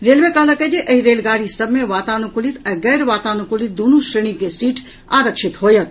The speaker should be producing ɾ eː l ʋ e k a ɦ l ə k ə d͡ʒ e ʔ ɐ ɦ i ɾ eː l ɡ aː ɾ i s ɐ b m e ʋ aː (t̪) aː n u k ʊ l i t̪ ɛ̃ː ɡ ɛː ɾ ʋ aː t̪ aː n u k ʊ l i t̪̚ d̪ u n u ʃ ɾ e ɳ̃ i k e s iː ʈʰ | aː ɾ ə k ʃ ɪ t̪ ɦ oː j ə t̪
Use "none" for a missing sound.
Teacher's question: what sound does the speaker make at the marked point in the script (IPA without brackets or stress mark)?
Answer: t̪